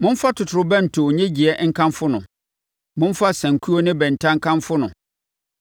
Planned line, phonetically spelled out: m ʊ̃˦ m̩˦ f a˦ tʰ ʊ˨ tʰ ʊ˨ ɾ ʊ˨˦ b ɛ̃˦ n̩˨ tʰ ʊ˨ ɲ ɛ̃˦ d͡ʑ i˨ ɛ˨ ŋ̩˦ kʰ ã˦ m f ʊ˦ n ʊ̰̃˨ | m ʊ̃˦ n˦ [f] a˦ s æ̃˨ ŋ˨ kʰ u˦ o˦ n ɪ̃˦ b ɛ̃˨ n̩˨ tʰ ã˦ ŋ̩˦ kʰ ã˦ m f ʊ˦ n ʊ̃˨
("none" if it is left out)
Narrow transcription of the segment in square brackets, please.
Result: f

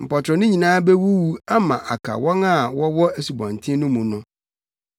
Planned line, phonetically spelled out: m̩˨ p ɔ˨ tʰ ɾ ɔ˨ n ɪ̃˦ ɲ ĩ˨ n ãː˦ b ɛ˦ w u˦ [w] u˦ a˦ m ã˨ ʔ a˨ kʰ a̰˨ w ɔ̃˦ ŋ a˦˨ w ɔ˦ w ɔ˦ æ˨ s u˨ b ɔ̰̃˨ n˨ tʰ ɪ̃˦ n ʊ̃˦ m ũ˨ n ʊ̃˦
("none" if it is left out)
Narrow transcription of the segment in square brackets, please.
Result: w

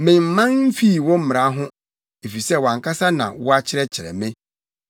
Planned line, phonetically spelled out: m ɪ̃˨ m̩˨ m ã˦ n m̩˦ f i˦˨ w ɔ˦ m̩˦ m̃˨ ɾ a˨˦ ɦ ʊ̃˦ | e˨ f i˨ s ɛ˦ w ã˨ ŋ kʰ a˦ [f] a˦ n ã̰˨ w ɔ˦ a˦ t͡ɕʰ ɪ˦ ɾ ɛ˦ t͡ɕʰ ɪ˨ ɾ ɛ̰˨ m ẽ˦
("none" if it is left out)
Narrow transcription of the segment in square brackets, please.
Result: s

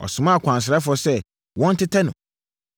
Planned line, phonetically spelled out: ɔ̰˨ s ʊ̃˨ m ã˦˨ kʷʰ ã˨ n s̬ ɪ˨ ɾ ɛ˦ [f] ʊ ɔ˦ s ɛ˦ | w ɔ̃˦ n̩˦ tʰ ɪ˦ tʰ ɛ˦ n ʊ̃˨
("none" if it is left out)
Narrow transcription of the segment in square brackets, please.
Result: f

